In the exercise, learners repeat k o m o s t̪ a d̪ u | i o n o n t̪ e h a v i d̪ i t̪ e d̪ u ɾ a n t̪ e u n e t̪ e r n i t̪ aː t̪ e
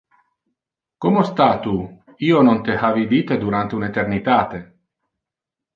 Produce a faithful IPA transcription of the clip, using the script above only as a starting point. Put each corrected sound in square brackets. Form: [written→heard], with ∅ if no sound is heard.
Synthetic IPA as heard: k o m o s t̪ a [d̪→t̪] u | i o n o n t̪ e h a v i d̪ i t̪ e d̪ u ɾ a n t̪ e u n e t̪ e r n i t̪ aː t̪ e